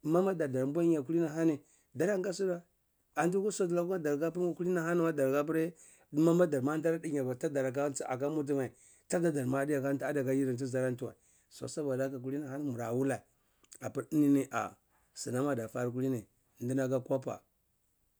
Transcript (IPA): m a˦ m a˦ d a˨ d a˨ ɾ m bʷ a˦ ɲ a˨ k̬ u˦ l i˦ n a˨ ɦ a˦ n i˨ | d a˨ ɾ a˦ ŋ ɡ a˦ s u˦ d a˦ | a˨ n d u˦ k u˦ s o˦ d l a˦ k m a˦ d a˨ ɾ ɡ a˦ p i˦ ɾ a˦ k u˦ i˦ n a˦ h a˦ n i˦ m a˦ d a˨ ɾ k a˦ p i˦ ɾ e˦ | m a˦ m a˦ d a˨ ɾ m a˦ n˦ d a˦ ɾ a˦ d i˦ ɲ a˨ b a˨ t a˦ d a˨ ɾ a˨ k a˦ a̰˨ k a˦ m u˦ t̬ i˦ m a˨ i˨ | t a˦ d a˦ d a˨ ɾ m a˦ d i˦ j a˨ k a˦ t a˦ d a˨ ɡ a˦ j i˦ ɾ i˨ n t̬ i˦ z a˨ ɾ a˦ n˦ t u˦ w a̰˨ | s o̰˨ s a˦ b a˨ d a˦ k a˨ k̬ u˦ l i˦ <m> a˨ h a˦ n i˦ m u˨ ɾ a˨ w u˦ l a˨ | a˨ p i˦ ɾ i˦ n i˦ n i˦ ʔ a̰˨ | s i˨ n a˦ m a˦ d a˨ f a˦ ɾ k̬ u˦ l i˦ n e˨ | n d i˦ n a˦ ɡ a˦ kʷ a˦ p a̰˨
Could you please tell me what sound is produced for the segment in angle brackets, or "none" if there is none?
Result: n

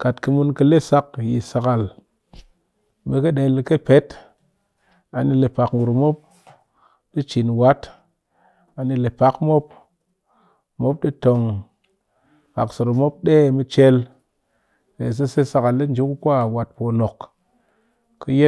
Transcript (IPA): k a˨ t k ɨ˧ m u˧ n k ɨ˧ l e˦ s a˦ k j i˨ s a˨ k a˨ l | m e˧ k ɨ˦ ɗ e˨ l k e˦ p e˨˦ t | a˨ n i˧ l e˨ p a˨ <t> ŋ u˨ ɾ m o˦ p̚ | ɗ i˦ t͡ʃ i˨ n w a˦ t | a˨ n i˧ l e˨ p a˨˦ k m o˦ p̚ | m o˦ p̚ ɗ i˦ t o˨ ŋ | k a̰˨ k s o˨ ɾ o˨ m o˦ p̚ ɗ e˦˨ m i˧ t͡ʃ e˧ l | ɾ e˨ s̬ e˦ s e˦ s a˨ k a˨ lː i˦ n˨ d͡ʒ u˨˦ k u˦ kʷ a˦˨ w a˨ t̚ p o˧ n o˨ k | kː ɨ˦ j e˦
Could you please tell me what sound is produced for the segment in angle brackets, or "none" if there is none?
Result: k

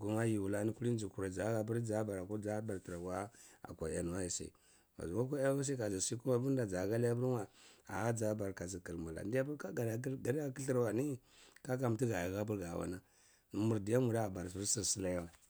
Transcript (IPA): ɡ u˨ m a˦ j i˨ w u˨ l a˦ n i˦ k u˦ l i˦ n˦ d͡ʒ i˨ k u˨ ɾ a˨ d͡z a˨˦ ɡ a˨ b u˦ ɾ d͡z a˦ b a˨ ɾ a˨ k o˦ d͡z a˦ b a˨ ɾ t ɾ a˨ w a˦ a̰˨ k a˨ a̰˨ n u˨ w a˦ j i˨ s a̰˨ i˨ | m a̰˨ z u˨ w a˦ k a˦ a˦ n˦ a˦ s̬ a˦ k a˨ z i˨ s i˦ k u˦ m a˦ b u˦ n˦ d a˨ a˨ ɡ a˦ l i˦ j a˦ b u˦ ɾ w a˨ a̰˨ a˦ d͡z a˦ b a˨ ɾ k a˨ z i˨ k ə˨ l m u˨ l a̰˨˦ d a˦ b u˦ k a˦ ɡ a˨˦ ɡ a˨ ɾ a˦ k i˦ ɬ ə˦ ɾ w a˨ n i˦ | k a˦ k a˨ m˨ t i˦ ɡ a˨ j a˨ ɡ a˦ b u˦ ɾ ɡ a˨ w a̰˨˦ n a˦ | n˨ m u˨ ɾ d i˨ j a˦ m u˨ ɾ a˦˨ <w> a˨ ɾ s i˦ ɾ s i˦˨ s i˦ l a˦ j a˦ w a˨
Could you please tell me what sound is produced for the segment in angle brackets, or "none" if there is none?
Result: b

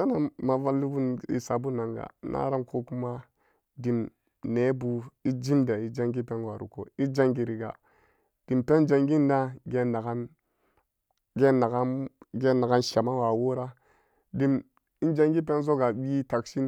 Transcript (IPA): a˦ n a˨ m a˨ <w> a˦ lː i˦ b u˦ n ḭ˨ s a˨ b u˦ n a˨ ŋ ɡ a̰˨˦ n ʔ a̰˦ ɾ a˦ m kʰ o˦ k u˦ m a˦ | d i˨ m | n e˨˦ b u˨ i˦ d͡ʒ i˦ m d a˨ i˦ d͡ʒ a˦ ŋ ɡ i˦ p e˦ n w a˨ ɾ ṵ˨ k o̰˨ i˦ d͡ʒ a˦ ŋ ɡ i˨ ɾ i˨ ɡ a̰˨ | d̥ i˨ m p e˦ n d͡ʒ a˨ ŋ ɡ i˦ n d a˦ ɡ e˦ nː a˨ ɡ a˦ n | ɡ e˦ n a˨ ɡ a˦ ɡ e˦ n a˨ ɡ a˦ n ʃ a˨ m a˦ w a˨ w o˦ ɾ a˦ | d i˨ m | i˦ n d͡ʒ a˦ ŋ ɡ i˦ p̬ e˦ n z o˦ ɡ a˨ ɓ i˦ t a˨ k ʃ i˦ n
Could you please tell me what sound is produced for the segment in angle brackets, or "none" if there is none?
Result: v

